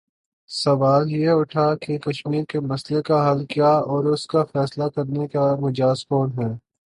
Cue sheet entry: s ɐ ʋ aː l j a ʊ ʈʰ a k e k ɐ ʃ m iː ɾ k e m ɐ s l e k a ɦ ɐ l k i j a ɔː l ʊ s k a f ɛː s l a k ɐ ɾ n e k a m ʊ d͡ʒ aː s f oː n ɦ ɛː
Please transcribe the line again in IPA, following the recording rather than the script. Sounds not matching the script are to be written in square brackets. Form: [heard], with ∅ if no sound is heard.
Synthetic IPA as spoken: s ɐ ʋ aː l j [e] ʊ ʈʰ a k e k ɐ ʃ m iː ɾ k e m ɐ s l e k a ɦ ɐ l k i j a ɔː [ɾ] ʊ s k a f ɛː s l a k ɐ ɾ n e k a m ʊ d͡ʒ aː s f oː n ɦ ɛː